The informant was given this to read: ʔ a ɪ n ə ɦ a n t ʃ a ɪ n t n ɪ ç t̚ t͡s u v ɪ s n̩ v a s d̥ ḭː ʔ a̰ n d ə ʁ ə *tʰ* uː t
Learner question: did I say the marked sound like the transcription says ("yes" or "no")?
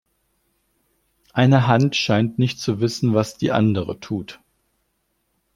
yes